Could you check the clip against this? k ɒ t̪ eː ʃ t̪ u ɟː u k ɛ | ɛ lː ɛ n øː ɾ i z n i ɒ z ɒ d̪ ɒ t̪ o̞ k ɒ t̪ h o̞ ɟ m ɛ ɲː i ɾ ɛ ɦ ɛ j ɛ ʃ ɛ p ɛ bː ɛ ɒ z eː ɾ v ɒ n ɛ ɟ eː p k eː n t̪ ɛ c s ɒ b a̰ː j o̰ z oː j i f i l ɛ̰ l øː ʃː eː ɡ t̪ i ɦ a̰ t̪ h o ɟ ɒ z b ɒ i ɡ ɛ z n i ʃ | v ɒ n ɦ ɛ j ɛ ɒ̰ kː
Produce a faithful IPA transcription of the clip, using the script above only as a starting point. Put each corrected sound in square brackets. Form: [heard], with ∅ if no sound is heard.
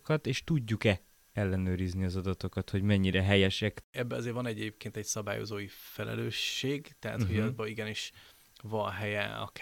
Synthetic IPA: k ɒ t̪ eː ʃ t̪ u ɟː u k ɛ | ɛ lː ɛ n øː ɾ i z n i ɒ z ɒ d̪ ɒ t̪ o̞ k ɒ t̪ h o̞ ɟ m ɛ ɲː i ɾ ɛ ɦ ɛ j ɛ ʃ ɛ [k] ɛ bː ɛ ɒ z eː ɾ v ɒ n ɛ ɟ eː p k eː n t̪ ɛ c s ɒ b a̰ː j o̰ z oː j i f [ɛ] l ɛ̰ l øː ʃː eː ɡ t̪ [ɛ] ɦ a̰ t̪ h o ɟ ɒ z b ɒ i ɡ ɛ [∅] n i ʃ | v ɒ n ɦ ɛ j ɛ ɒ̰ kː